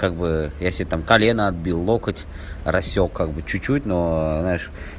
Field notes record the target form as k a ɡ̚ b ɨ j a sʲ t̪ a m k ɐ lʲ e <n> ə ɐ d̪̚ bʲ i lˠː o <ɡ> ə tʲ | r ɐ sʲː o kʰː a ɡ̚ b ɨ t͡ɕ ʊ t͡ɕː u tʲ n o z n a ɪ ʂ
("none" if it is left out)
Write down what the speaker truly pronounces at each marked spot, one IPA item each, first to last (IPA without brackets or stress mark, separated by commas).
n, k